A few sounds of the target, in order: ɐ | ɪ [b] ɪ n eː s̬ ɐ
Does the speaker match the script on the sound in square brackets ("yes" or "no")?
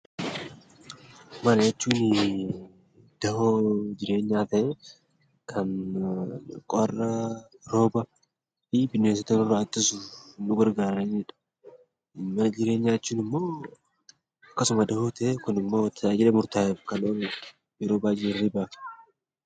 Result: yes